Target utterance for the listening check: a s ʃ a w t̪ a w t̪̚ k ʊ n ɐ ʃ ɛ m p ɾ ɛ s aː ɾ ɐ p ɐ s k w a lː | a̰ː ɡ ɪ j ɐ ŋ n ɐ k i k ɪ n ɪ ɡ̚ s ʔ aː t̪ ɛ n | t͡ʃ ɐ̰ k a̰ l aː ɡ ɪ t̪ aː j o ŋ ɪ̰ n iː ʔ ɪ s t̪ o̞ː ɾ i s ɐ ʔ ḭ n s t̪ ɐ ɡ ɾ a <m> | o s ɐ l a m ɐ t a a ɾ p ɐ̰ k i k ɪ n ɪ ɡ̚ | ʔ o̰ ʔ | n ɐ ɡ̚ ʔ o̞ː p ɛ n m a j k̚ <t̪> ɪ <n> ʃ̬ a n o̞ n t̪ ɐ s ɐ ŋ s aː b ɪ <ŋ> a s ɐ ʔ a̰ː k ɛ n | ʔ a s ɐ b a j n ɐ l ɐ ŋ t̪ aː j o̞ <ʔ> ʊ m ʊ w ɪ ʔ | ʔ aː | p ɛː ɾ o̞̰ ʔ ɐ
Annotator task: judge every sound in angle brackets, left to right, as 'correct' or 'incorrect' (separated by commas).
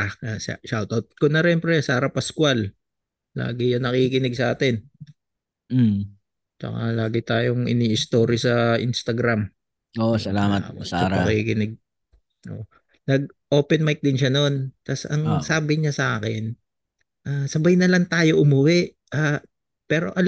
correct, incorrect, correct, incorrect, correct